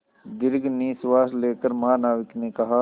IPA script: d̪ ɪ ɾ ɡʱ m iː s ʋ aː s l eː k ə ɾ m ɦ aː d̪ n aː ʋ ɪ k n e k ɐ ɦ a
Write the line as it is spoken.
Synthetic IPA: d̪ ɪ ɾ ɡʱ n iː s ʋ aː s l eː k ə ɾ m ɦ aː n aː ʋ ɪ k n e k ɐ ɦ a